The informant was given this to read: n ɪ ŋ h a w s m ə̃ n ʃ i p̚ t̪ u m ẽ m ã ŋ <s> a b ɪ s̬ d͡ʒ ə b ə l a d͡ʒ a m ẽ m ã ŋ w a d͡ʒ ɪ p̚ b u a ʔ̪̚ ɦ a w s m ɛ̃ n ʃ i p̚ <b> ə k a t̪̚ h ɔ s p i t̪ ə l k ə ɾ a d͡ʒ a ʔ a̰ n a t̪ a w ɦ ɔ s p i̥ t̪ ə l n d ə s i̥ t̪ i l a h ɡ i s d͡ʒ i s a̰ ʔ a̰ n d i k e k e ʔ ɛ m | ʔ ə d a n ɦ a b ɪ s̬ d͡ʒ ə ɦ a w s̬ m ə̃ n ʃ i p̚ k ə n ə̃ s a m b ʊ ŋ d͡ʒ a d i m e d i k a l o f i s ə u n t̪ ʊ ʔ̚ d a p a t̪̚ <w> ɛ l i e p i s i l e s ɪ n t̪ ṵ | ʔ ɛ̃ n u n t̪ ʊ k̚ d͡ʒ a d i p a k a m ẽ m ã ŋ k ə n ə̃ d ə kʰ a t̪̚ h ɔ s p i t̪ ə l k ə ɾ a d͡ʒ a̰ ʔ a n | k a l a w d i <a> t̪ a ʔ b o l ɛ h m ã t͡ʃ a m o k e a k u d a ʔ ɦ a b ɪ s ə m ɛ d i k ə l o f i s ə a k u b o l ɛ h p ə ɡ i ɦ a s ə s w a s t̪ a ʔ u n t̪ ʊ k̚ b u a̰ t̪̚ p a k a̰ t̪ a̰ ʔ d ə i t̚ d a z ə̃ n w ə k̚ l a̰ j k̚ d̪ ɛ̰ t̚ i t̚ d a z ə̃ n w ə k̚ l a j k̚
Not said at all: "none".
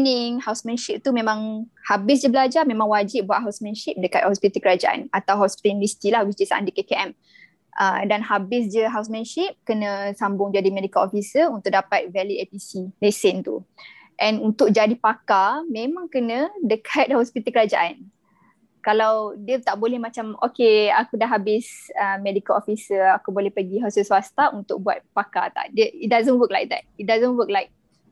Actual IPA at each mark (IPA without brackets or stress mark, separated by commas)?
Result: h, d, v, ə